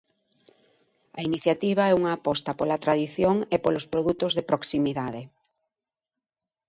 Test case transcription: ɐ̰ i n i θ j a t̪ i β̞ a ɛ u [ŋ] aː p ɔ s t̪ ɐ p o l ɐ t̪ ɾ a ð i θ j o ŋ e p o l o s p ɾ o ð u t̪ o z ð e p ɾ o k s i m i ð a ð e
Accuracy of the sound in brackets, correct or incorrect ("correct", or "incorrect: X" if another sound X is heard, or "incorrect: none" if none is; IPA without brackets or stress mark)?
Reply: correct